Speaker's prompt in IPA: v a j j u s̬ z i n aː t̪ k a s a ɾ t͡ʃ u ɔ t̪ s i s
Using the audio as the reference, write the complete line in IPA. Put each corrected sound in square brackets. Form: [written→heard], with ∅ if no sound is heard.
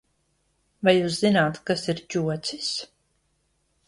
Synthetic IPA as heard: v a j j [u→uː] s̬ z i n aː t̪ k a s [a→i] ɾ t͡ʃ u ɔ t̪ s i s